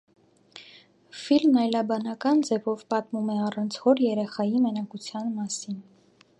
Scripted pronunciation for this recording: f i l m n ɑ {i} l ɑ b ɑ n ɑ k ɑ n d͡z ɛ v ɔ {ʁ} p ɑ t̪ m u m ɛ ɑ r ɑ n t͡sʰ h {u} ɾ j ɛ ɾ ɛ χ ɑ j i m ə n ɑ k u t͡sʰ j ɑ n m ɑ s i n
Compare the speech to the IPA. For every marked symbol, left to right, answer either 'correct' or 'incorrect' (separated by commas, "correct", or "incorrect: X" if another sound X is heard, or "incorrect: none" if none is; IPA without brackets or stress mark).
incorrect: j, incorrect: v, incorrect: ɔ